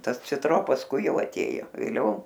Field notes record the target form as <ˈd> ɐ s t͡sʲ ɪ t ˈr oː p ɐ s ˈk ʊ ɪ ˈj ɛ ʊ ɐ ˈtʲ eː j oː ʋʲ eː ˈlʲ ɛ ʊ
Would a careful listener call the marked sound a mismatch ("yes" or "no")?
yes